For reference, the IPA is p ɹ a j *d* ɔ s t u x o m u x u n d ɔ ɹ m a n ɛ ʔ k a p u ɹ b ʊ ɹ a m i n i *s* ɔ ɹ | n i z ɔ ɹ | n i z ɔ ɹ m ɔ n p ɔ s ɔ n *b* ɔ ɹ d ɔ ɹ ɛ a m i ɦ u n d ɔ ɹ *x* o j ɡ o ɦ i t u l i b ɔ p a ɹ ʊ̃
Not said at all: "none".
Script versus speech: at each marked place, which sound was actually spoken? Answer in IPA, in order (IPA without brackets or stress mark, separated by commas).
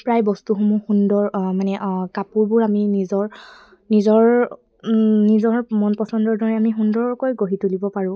b, z, d, k